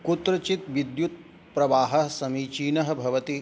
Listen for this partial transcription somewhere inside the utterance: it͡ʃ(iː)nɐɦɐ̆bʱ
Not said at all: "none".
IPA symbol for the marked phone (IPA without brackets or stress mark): iː